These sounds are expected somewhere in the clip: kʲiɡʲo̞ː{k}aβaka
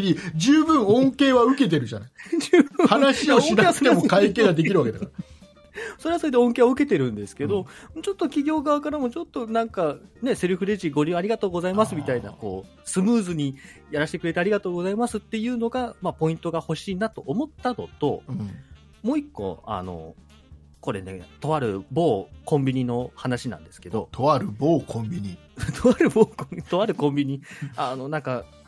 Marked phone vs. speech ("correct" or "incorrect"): incorrect